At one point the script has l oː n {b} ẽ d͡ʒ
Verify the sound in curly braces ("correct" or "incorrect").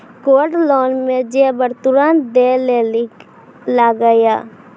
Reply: incorrect